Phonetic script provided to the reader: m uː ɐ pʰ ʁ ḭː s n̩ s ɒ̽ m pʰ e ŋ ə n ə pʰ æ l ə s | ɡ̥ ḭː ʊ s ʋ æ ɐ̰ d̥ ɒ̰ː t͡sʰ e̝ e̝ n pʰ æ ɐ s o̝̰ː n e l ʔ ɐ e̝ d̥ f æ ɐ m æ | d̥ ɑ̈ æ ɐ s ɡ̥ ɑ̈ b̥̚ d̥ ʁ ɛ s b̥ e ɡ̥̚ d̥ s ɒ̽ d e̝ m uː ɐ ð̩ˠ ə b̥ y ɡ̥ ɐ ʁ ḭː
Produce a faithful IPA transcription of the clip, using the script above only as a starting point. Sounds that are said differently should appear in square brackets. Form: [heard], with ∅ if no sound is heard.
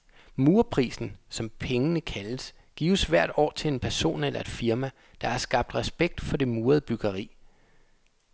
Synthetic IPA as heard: m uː ɐ pʰ ʁ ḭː s n̩ s ɒ̽ m pʰ e ŋ ə n ə [kʰ] æ l ə s | ɡ̥ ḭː ʊ s ʋ æ ɐ̰ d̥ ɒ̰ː t͡sʰ e̝ e̝ n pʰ æ ɐ s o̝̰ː n e l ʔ ɐ e̝ d̥ f [i] ɐ m æ | d̥ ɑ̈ æ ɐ s ɡ̥ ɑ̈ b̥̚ d̥ ʁ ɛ s b̥ e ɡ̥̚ d̥ [f] ɒ̽ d e̝ m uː ɐ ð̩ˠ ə b̥ y ɡ̥ ɐ ʁ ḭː